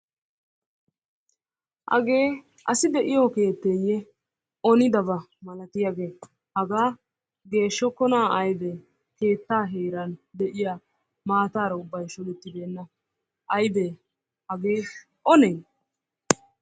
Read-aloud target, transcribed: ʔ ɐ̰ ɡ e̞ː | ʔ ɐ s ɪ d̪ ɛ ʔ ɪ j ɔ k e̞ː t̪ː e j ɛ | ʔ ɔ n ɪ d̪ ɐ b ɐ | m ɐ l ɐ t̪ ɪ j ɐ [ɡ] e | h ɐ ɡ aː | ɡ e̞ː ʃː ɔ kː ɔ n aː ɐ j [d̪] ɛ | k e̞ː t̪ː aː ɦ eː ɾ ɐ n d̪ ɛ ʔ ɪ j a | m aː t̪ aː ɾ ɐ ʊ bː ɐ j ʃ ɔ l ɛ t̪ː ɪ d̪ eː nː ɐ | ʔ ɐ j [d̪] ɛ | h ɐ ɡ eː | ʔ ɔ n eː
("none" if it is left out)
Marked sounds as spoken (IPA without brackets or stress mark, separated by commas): ɡ, d̪, d̪